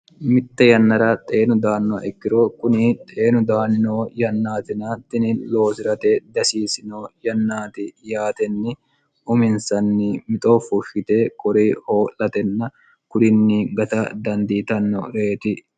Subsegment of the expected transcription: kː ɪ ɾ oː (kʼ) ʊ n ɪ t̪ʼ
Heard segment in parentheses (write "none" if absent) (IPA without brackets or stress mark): k